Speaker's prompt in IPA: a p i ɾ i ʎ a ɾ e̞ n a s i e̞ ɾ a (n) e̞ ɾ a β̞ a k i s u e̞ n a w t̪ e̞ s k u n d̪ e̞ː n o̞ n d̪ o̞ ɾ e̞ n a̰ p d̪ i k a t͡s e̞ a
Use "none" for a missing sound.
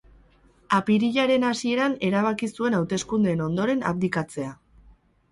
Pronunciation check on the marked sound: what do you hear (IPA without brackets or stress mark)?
n